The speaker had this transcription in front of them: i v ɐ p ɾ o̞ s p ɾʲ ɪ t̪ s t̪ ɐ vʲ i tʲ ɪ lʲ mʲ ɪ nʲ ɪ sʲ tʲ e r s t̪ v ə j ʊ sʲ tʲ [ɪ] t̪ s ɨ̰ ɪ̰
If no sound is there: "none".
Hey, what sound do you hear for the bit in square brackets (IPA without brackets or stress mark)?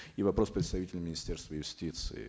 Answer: i